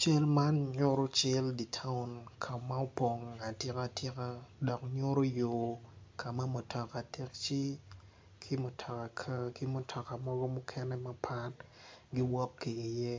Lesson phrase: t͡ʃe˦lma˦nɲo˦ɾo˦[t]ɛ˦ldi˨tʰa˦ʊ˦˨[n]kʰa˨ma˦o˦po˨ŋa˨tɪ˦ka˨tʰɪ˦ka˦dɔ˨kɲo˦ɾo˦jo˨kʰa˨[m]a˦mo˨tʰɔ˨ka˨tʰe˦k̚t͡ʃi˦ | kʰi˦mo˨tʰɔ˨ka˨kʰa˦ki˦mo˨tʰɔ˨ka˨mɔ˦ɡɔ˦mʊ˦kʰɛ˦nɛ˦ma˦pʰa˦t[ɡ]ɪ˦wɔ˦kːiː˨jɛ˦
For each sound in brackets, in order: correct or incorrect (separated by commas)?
incorrect, correct, correct, correct